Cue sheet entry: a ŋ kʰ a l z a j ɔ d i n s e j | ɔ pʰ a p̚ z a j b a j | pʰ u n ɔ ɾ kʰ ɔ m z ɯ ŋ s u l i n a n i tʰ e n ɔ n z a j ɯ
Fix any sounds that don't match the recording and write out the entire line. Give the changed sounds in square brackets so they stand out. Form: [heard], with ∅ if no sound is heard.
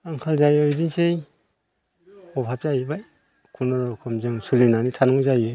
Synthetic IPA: a ŋ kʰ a l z a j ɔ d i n s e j | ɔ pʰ a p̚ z a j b a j | [kʰ] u n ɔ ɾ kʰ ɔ m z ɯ ŋ s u l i n a n i tʰ [a] n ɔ [ŋ] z a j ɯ